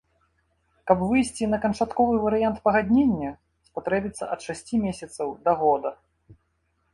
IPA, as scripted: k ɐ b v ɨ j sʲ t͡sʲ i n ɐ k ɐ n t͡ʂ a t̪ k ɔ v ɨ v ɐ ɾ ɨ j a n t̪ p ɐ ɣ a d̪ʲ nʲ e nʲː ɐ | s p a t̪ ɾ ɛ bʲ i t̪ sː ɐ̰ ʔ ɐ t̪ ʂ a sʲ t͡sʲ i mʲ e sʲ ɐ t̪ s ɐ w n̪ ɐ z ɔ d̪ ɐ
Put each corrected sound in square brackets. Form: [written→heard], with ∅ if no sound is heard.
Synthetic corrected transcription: k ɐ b v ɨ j sʲ t͡sʲ i n ɐ k ɐ n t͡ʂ a t̪ k ɔ v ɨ v ɐ ɾ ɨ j a n t̪ p ɐ ɣ a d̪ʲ nʲ e nʲː ɐ | s p a t̪ ɾ ɛ bʲ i t̪ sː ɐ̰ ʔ ɐ t̪ ʂ a sʲ t͡sʲ i mʲ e sʲ ɐ t̪ s ɐ w [n̪→d̪] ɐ [z→ɣ] ɔ d̪ ɐ